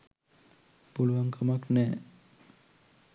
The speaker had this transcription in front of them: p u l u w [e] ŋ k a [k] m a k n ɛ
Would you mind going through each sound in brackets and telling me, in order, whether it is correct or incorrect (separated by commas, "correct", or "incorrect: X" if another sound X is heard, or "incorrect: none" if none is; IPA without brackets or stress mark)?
incorrect: a, incorrect: none